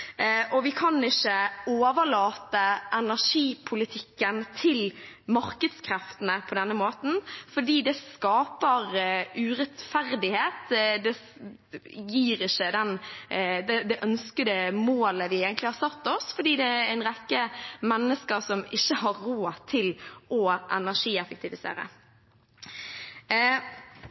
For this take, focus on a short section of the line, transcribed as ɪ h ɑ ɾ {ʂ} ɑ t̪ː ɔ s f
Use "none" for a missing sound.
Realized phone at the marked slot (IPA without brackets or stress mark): s